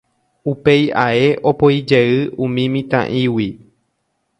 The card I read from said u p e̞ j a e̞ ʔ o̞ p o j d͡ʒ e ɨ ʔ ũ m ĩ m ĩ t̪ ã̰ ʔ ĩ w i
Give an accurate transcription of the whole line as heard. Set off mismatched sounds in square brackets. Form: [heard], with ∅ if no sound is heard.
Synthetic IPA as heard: u p e̞ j a e̞ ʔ o̞ p o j d͡ʒ e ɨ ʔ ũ m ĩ m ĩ t̪ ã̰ ʔ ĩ w i